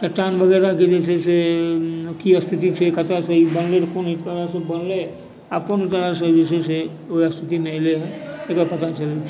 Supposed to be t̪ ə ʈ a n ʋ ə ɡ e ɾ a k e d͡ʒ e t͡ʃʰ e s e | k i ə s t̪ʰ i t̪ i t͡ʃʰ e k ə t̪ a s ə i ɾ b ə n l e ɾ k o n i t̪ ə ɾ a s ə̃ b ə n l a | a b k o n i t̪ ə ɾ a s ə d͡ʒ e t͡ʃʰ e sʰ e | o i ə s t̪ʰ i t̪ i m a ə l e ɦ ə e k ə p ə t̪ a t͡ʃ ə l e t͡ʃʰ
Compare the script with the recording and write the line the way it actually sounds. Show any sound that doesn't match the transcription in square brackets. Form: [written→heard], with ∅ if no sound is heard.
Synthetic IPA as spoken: t̪ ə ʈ a n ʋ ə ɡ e ɾ a k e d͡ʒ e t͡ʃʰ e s e | k i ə s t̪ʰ i t̪ i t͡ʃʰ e k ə t̪ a s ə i [ɾ→∅] b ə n l e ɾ k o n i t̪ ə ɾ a s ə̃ b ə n l [a→e] | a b k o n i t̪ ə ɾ a s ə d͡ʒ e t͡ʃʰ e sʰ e | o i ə s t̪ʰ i t̪ i m [a→e] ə l e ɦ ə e k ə p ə t̪ a t͡ʃ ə l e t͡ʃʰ